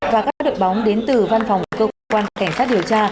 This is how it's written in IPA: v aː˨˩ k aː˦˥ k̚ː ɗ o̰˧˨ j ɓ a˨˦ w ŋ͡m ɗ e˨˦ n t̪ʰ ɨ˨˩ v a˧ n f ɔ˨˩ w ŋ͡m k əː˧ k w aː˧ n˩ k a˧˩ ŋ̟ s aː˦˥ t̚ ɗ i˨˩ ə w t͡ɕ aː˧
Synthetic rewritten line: v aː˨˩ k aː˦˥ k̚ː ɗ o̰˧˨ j ɓ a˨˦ w ŋ͡m ɗ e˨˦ n t̪ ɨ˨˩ v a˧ n f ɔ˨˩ w ŋ͡m k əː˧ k w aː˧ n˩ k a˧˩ ŋ̟ s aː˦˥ t̚ ɗ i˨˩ ə w t͡ɕ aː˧